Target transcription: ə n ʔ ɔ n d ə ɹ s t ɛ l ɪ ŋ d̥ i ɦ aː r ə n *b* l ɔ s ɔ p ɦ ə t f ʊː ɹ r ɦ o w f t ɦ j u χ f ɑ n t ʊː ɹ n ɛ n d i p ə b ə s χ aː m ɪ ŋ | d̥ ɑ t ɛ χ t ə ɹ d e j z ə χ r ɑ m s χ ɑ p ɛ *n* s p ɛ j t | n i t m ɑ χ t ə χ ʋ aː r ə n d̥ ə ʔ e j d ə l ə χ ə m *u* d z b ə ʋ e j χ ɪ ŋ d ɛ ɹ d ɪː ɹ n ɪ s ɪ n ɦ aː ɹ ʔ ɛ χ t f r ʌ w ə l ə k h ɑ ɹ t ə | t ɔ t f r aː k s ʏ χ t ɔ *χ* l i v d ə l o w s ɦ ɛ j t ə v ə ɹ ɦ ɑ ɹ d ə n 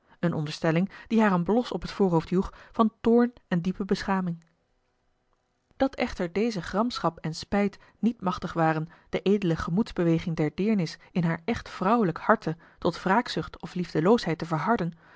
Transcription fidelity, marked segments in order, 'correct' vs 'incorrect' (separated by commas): correct, correct, correct, incorrect